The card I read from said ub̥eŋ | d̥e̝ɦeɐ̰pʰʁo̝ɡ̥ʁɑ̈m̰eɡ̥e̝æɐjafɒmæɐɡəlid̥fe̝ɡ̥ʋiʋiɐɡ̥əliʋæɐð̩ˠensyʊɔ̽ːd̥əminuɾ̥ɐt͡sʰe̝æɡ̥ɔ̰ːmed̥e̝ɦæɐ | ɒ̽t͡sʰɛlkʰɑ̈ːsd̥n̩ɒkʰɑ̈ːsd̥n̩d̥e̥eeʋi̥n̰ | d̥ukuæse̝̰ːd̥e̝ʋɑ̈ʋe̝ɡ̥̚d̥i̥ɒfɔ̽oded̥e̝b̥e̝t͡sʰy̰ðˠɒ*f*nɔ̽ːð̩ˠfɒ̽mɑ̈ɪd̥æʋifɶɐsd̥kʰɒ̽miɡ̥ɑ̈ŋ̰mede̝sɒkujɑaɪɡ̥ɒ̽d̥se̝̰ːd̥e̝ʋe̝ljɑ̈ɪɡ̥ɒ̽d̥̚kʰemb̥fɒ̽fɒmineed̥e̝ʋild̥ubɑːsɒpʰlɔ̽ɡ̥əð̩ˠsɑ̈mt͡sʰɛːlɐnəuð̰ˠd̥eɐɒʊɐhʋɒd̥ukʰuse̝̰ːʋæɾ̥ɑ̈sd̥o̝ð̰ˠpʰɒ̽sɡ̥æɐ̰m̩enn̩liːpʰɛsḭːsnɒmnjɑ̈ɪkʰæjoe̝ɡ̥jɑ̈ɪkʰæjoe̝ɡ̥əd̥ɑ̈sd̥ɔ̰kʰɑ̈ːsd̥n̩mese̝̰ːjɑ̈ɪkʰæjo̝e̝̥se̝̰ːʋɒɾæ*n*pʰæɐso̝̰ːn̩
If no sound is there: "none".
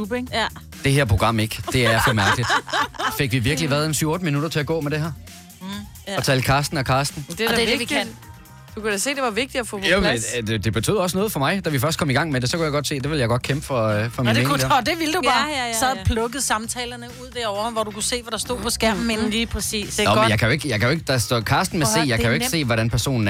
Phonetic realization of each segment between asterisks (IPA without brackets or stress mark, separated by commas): s, n